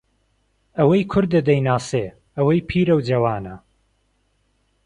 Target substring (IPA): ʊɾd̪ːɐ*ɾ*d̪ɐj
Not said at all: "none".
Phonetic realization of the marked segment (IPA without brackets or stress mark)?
none